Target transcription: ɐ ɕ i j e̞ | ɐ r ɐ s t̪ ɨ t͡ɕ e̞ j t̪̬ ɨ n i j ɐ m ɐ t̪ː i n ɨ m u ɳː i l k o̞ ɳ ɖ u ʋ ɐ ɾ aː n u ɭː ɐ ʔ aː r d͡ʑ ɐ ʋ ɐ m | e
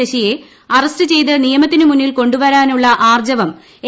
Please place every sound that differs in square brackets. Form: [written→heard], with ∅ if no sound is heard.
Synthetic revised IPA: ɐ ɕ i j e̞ | ɐ r ɐ s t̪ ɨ t͡ɕ e̞ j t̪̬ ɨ n i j ɐ m ɐ t̪ː i n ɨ m u [ɳː→nː] i l k o̞ ɳ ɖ u ʋ ɐ ɾ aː n u ɭː ɐ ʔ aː r d͡ʑ ɐ ʋ ɐ m | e